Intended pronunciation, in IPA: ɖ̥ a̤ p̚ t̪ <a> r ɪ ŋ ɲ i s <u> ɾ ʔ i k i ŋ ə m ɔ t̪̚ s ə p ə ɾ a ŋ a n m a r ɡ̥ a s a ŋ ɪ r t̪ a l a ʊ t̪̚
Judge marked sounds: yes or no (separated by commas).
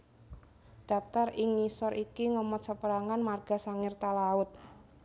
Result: yes, no